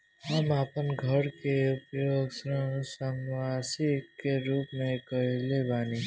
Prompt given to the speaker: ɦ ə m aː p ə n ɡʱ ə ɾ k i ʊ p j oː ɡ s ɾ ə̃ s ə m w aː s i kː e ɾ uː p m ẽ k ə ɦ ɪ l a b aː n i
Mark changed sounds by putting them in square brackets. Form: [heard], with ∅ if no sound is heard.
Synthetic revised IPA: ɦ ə m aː p ə n ɡʱ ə ɾ k [e] ʊ p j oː ɡ s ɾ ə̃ s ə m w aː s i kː e ɾ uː p m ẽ k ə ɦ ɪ l [e] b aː n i